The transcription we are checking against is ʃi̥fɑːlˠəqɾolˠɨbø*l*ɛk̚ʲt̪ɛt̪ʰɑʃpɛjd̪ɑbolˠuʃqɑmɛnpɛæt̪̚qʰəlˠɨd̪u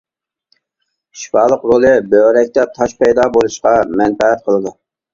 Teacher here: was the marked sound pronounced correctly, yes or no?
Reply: no